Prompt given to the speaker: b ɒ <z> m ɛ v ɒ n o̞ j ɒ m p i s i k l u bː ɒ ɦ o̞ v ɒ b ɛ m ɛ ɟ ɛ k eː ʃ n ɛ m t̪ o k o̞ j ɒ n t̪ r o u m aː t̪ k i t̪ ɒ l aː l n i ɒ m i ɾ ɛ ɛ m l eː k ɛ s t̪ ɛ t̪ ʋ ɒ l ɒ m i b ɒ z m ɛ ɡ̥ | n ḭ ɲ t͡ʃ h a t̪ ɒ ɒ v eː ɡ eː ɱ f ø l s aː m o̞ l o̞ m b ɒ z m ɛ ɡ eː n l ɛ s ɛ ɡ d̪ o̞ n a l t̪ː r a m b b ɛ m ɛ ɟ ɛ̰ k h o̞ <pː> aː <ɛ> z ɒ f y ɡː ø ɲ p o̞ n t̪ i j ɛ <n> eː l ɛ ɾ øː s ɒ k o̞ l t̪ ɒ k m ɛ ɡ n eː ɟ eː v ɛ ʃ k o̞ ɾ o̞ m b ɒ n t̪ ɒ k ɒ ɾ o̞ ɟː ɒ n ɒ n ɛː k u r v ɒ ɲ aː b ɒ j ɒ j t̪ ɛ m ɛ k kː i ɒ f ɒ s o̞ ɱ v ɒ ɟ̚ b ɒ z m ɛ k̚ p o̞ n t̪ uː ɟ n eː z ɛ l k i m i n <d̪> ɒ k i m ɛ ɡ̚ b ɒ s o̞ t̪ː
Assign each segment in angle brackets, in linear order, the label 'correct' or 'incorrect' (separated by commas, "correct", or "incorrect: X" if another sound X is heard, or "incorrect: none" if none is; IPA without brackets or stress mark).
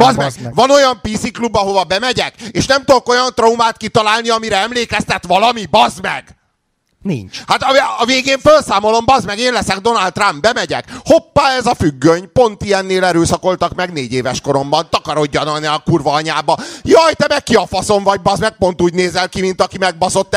correct, correct, correct, incorrect: nː, incorrect: t̪